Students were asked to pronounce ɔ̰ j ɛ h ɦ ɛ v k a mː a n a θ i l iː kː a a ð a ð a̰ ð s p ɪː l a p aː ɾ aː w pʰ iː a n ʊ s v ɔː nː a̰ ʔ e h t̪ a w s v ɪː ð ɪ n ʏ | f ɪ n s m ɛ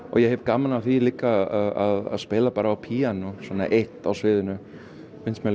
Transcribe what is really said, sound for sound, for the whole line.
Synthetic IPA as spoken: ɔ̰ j ɛ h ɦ ɛ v k a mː a n a θ i l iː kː a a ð a ð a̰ ð s p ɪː l a p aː ɾ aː w pʰ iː a n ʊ s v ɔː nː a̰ ʔ e h t̪ a w s v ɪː ð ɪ n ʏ | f ɪ n s m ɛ